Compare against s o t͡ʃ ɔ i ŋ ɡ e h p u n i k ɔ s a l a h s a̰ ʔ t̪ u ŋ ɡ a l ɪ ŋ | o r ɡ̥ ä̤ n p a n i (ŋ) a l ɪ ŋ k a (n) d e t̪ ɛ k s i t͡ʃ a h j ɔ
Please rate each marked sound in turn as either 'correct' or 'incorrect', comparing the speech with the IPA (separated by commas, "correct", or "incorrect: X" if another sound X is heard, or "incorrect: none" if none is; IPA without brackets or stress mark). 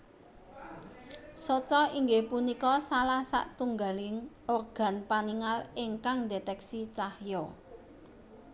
correct, incorrect: ŋ